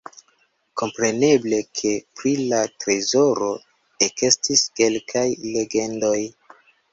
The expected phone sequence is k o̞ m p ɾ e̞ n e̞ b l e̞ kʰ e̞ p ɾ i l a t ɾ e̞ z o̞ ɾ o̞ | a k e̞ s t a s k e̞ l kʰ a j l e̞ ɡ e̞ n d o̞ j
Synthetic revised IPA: k o̞ m p ɾ e̞ n e̞ b l e̞ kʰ e̞ p ɾ i l a t ɾ e̞ z o̞ ɾ o̞ | e k e̞ s t i s k e̞ l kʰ a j l e̞ ɡ e̞ n d o̞ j